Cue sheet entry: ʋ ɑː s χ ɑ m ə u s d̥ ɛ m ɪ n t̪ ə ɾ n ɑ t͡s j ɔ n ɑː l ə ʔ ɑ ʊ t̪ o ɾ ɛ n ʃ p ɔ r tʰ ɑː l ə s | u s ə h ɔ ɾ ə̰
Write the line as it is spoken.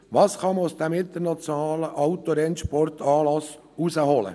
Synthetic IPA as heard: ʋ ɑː s χ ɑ m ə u s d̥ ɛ m ɪ n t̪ ə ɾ n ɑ t͡s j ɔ n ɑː l ə ʔ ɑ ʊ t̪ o ɾ ɛ n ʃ p ɔ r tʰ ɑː l ɑ s | u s ə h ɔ l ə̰